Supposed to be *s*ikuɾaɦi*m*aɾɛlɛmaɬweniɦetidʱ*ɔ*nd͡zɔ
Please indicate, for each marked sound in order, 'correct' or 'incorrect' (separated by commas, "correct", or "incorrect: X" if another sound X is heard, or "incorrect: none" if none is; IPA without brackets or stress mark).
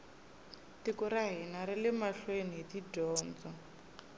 incorrect: t, incorrect: n, incorrect: ɔː